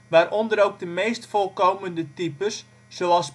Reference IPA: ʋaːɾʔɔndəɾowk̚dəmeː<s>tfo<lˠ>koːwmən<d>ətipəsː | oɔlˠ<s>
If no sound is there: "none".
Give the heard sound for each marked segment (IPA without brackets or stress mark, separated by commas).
s, lˠ, d, s